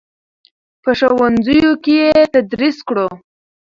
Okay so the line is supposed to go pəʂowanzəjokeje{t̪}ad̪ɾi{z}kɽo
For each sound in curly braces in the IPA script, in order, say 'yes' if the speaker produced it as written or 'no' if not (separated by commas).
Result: yes, no